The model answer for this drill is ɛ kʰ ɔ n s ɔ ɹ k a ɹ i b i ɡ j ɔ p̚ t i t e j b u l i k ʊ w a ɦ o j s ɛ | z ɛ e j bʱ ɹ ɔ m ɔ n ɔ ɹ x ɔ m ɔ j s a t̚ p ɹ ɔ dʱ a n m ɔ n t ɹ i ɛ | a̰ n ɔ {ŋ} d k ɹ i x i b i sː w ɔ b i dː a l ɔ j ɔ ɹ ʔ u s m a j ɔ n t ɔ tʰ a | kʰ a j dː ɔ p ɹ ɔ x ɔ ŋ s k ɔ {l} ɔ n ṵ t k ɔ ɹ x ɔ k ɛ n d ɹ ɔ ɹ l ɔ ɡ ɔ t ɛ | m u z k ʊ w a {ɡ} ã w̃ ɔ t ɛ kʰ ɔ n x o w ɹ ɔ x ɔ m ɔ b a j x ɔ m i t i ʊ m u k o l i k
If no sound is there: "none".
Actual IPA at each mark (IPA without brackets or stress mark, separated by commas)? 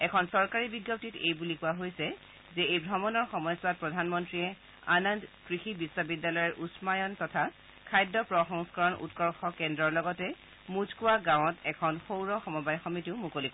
n, ɹ, ɡ